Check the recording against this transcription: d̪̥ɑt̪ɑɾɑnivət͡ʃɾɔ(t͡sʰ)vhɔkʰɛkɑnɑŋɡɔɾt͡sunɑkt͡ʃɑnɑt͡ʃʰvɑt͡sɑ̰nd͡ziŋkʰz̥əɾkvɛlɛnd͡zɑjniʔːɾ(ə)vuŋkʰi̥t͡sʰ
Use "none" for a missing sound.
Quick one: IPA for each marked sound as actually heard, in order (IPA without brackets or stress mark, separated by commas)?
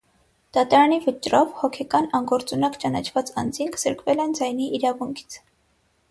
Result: none, ɑ